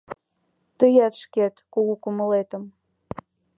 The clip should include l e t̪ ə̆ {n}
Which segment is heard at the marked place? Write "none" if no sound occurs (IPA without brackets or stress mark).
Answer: m